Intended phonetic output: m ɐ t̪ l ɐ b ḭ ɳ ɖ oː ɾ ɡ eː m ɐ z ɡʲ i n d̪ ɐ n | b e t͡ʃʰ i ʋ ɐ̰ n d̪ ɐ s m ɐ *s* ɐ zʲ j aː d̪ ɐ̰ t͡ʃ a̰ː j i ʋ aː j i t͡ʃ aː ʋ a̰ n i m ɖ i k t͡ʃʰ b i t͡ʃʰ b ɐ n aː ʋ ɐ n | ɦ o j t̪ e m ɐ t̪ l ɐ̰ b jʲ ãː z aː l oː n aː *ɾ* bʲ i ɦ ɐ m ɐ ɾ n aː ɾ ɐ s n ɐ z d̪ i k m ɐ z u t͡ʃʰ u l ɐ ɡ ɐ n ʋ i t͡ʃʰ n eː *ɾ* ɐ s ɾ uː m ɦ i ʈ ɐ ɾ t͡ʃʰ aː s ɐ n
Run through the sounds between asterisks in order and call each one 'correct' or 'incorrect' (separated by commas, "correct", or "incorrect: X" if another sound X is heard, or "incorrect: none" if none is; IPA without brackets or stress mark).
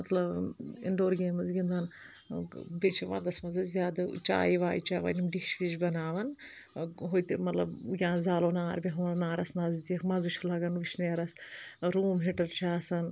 incorrect: z, correct, correct